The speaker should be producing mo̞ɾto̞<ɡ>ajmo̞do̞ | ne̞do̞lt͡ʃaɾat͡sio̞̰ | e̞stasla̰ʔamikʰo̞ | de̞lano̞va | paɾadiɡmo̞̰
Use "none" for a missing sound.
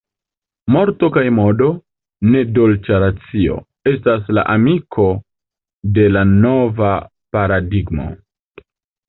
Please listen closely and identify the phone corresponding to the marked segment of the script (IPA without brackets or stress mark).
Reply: k